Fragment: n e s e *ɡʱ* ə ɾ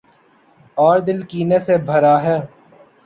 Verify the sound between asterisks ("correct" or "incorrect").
incorrect